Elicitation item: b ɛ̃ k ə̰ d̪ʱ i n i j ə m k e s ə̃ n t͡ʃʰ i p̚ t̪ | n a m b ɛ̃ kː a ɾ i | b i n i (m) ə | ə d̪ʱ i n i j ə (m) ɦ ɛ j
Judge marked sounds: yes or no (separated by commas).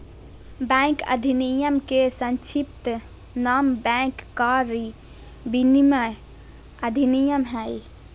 yes, yes